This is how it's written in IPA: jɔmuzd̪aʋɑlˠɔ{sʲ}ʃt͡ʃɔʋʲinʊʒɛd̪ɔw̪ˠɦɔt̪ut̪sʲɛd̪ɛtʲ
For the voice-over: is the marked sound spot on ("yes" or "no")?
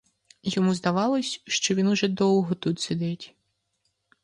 yes